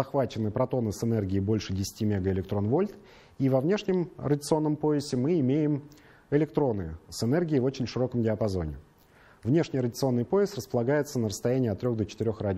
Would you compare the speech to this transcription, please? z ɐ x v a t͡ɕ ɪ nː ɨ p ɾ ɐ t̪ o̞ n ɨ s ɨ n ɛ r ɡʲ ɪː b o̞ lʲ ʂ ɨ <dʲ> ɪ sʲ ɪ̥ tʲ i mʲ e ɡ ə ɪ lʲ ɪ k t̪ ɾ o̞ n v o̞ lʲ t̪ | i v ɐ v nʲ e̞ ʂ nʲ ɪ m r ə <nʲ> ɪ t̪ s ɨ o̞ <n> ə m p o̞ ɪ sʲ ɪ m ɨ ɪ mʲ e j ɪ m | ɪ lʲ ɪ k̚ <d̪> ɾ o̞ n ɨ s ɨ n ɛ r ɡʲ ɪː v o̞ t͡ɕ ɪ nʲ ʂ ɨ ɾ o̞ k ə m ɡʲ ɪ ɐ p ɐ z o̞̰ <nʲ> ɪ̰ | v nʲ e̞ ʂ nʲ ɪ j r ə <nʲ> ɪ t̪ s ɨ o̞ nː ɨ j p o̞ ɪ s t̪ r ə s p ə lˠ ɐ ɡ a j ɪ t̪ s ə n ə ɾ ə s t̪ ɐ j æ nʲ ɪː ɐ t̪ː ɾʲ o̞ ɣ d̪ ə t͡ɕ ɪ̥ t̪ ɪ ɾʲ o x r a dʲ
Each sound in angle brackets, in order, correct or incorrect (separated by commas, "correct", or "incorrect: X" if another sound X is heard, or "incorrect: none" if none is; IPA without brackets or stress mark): correct, incorrect: dʲ, incorrect: nː, incorrect: t̪, correct, incorrect: dʲ